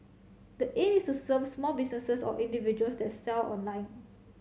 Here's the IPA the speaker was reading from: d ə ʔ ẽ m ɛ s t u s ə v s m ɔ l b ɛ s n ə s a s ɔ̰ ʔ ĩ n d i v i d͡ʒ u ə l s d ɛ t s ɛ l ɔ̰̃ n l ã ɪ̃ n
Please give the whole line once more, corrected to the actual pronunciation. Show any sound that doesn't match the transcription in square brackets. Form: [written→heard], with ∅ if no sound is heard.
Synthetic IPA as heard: d ə ʔ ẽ m [ɛ→i] s t u s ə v s m ɔ l b [ɛ→i] s n ə s [a→ə] s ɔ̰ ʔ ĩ n d i v i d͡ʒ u ə l s d ɛ t s ɛ l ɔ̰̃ n l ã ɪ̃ n